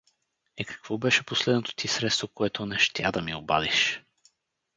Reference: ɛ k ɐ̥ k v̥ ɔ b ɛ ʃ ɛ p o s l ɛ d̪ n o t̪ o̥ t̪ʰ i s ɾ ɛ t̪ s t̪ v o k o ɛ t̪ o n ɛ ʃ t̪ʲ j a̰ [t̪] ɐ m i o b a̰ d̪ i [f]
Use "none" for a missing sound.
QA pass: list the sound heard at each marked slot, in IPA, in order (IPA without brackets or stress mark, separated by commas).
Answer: d̪, ʃ